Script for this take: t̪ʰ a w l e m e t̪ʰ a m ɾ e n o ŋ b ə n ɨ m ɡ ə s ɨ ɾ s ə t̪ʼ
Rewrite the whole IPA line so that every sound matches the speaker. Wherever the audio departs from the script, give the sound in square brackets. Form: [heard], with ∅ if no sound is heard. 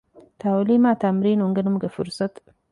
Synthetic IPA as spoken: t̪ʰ a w l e m [a] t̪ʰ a m ɾ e n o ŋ [ɡ] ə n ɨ m ɡ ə [f] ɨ ɾ s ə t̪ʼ